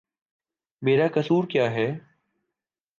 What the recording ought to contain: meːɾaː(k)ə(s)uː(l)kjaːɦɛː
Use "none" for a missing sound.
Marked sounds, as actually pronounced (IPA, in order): k, s, ɾ

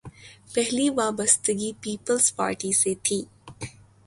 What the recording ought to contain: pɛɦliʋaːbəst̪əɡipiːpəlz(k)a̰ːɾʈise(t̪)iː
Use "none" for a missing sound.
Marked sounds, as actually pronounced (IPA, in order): p, t̪ʰ

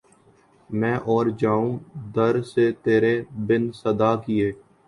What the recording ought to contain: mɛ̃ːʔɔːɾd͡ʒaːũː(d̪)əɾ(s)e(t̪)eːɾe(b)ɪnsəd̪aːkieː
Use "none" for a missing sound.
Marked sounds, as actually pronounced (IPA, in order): d̪, s, t̪, b

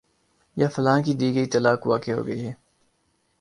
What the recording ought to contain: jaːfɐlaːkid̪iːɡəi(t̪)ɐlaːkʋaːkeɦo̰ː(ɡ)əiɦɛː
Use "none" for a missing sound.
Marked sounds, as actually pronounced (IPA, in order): t̪, ɡ

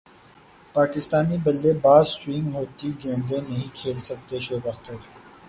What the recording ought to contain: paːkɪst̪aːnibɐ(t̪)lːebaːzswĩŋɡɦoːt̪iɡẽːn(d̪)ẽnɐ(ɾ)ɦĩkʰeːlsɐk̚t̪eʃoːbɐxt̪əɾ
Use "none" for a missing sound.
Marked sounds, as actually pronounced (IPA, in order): none, d̪, none

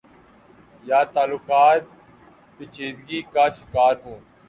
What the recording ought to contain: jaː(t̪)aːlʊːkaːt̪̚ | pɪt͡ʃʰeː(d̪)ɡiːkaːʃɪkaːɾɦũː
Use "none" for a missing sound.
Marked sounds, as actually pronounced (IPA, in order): t̪, d̪

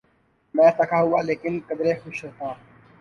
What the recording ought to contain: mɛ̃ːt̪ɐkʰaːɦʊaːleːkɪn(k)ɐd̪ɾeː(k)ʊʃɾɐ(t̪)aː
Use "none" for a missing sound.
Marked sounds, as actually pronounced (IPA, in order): k, x, t̪

